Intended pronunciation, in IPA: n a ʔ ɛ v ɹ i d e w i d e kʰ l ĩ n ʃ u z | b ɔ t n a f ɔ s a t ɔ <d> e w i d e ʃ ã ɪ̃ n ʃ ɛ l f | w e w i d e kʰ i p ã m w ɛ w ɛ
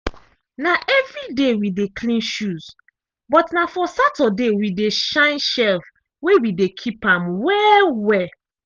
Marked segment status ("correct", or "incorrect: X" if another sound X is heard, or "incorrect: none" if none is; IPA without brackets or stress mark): correct